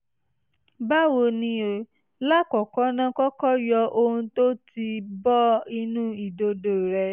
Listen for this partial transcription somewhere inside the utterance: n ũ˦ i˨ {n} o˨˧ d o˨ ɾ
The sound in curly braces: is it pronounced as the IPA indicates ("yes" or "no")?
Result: no